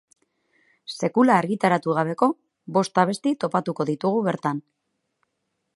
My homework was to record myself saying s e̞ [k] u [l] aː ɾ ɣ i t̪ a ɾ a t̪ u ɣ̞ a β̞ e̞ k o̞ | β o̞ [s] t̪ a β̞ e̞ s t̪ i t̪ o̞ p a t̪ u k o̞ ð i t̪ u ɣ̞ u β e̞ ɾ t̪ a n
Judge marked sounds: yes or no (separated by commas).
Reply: yes, yes, yes